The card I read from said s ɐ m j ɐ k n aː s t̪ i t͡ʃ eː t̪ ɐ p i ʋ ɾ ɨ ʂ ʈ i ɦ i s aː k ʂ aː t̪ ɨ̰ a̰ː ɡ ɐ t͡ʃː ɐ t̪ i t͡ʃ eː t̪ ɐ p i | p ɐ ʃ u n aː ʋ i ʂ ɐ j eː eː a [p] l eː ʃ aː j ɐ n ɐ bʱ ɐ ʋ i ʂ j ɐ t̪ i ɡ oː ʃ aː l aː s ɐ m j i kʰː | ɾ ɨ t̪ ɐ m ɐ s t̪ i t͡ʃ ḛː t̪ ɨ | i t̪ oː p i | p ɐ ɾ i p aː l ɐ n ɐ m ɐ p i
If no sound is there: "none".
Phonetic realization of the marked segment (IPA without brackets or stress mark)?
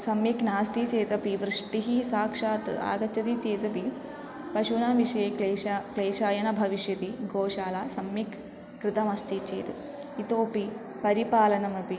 k